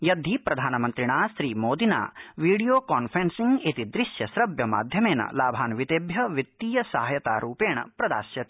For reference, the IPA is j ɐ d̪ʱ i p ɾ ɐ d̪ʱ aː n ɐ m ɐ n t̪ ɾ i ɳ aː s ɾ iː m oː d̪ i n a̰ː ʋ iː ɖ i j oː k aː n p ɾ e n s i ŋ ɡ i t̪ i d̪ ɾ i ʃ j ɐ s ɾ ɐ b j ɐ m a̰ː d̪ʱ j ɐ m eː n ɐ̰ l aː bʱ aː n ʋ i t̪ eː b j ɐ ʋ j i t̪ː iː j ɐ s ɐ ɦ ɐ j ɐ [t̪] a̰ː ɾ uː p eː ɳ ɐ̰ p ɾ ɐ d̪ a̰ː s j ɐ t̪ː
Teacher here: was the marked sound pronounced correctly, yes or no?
yes